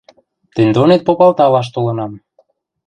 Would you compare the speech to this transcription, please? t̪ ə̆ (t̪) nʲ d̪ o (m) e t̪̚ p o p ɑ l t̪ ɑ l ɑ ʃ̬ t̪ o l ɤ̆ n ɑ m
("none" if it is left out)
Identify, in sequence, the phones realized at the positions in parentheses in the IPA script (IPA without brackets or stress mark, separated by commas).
none, n